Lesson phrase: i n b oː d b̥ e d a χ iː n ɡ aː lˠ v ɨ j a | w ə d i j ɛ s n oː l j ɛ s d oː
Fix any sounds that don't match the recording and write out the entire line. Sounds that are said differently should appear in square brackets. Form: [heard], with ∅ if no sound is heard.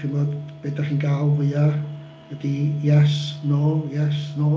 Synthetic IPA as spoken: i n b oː d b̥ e d a χ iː n ɡ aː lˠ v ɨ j a | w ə d i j ɛ s n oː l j ɛ s [n] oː